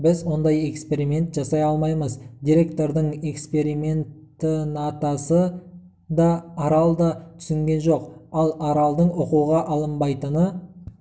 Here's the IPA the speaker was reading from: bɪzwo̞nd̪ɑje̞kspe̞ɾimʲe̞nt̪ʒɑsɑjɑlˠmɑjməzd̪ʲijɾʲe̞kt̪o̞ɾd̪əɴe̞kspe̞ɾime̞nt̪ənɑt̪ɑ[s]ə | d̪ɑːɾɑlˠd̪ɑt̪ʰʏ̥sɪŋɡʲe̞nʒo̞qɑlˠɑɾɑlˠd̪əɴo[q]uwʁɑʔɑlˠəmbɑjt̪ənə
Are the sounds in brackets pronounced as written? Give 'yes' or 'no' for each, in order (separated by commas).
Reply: yes, yes